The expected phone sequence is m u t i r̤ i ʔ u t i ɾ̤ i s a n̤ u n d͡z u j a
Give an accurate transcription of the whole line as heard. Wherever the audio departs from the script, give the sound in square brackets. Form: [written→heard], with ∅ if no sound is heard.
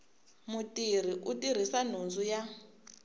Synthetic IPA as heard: m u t i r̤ i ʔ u t i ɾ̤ i s a n̤ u n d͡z u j a